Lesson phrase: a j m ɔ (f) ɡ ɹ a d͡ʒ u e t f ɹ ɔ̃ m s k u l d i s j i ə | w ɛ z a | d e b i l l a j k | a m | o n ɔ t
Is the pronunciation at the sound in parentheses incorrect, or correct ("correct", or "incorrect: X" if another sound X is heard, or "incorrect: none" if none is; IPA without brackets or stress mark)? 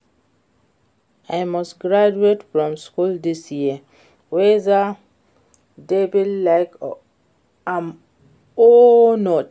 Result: incorrect: s